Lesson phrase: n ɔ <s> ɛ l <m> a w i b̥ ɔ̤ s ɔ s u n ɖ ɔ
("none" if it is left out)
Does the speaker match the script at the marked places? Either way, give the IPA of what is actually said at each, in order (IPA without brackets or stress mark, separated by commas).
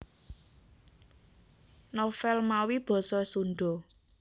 f, m